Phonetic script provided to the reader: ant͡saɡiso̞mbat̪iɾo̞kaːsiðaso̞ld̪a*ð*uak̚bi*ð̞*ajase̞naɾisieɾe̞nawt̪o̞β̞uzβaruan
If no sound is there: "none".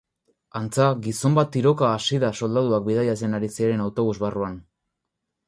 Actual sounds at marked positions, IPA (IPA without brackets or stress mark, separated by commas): ð, ð̞